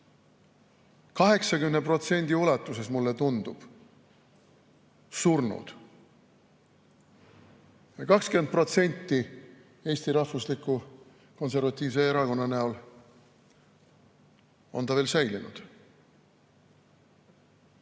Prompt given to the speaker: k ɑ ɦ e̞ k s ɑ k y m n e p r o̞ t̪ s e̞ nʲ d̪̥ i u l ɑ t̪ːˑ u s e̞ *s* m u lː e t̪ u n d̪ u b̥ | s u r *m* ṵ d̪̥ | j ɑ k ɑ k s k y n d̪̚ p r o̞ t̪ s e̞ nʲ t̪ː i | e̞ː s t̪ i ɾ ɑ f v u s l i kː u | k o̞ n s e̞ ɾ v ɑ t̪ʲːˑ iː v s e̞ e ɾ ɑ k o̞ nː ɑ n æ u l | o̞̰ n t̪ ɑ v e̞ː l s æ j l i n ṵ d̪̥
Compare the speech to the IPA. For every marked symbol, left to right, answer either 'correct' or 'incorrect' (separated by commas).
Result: correct, incorrect